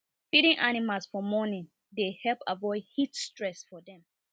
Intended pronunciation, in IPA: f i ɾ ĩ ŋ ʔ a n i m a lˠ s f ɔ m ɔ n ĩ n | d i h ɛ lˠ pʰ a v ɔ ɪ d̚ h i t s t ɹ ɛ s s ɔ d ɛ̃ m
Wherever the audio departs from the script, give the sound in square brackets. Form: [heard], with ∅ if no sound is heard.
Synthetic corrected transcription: f i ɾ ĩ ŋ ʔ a n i m a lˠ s f ɔ m ɔ n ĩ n | d [e] h ɛ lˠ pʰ a v ɔ ɪ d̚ h i t s t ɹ ɛ s [f] ɔ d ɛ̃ m